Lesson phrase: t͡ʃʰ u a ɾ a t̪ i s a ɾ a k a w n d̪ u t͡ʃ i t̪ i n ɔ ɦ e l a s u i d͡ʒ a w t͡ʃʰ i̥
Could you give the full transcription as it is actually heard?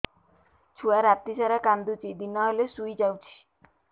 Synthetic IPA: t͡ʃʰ u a ɾ a t̪ i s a ɾ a k a n d̪ u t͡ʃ i d̪ i n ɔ ɦ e l e s u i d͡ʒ a w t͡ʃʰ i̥